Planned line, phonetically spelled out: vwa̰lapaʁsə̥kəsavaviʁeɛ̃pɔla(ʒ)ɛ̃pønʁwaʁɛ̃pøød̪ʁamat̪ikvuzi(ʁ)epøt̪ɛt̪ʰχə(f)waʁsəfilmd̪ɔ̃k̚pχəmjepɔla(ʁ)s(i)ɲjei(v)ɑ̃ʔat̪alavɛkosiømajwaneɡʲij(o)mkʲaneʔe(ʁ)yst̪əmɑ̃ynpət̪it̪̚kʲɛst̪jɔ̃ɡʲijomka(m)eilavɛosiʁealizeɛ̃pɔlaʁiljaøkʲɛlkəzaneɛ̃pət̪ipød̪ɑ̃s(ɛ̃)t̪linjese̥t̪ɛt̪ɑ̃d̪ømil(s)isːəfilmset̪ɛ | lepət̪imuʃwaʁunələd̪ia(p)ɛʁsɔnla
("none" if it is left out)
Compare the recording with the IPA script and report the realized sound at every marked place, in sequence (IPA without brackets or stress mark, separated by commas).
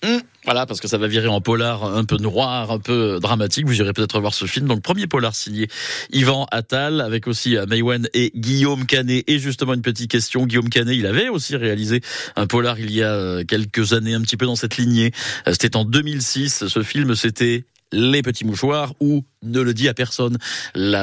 ʁ, ʁ, v, ʁ, i, v, o, ʒ, n, ɛ, s, p